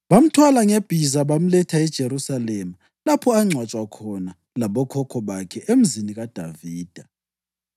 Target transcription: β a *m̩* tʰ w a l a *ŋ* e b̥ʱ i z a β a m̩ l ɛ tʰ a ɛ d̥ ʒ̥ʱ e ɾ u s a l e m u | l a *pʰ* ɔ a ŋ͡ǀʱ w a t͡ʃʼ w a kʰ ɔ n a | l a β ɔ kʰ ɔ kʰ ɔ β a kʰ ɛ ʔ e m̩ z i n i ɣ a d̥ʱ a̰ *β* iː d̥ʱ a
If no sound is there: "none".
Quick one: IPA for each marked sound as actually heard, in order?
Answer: m̩, ŋ, pʰ, v

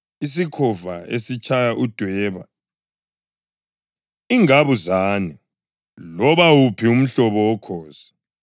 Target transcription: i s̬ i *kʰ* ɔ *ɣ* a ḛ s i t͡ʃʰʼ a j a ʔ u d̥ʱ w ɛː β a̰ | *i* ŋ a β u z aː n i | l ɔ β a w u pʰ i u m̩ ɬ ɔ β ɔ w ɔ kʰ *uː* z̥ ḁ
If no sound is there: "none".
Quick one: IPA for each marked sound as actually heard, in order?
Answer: kʰ, v, i, ɔː

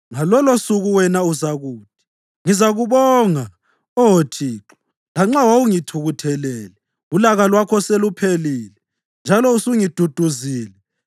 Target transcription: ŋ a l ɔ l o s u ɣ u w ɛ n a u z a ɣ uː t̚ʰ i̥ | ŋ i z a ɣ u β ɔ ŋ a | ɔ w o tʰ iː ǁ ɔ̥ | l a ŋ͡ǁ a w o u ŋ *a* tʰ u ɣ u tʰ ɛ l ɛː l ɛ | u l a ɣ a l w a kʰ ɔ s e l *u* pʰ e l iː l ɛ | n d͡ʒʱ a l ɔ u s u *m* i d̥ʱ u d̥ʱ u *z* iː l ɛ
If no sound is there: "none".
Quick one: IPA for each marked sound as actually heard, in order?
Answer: i, u, ŋ, z

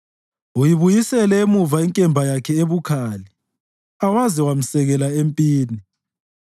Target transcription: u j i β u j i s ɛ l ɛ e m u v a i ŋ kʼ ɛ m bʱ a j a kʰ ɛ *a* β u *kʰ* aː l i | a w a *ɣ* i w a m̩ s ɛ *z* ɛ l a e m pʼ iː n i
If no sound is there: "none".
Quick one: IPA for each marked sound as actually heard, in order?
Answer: e, kʰ, z, ɣ

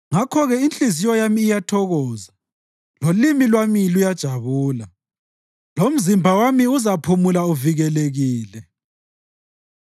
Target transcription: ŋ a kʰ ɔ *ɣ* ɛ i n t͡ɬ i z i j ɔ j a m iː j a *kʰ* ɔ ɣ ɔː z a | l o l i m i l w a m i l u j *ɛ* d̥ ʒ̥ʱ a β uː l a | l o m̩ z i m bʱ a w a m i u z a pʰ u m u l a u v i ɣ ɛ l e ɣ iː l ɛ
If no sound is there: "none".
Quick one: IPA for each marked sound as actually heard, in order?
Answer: ɣ, tʰ, a

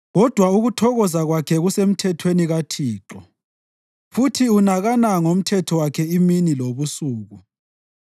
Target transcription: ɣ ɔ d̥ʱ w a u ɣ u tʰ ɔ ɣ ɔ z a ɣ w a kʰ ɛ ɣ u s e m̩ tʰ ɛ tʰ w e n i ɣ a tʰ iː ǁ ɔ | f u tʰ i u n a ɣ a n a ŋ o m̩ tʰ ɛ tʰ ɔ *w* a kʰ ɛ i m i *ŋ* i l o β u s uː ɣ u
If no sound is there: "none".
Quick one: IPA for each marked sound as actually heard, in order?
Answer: w, n

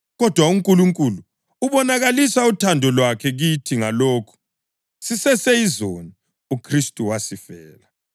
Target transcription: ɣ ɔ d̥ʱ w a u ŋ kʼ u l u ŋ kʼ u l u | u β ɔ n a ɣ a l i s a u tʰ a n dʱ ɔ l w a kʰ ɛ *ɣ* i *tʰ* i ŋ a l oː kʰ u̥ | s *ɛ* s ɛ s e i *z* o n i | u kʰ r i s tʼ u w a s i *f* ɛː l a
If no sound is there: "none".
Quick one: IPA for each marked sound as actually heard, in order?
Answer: ɣ, tʰ, i, z, f

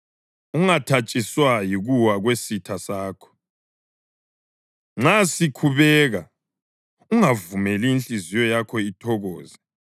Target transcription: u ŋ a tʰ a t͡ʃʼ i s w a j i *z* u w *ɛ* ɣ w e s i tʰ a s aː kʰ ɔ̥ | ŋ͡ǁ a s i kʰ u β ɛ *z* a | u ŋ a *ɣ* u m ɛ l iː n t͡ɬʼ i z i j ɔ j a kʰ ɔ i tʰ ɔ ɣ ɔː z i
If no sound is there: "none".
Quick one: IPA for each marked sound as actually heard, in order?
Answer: ɣ, a, ɣ, v

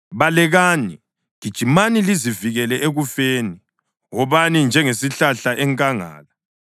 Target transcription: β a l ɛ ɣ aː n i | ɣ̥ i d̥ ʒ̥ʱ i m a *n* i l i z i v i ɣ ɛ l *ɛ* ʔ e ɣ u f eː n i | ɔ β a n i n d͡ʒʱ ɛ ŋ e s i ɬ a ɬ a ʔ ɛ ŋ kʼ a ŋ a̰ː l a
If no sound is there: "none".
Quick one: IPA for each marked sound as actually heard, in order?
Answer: n, ɛ

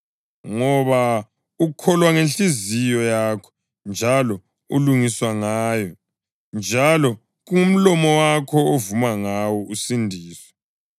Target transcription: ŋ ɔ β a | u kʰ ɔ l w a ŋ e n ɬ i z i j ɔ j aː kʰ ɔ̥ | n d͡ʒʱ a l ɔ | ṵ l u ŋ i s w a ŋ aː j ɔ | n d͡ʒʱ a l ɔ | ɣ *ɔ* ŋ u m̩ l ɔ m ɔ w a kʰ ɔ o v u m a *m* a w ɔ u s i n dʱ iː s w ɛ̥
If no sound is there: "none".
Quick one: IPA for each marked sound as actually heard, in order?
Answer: u, ŋ

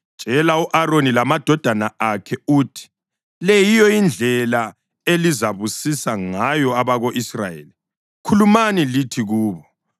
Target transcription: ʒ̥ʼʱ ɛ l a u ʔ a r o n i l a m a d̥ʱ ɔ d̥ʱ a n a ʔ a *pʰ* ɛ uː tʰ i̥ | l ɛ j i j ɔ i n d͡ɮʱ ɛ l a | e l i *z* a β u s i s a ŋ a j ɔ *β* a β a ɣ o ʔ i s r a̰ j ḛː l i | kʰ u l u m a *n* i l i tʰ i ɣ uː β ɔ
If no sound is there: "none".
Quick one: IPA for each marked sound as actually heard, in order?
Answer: kʰ, z, none, n

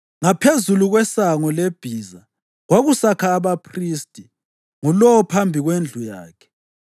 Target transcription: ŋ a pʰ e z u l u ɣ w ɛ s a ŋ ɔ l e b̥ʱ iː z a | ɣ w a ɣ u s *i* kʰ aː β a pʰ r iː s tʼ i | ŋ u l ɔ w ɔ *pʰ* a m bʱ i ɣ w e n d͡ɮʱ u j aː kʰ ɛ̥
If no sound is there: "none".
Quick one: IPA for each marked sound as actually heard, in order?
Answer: a, pʰ

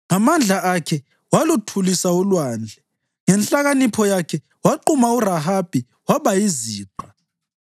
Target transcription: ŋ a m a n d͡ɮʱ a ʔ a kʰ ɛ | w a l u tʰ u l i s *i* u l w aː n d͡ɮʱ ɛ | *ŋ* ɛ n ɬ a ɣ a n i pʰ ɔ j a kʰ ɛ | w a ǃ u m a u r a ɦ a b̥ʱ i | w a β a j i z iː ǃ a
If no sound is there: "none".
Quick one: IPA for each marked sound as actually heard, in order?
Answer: a, ŋ

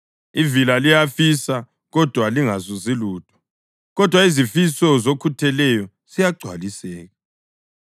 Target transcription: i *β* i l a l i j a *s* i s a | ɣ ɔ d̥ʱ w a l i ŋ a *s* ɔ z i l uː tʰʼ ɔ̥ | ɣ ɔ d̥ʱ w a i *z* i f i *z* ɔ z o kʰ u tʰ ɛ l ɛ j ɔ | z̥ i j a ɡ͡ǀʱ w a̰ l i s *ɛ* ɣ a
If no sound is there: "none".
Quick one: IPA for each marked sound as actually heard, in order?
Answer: v, f, z, z, s, ɛː

